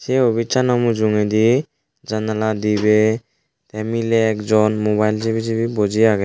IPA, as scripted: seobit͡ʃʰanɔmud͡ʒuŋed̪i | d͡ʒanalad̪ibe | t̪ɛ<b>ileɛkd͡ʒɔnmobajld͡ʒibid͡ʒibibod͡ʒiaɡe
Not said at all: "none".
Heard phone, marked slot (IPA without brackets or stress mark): m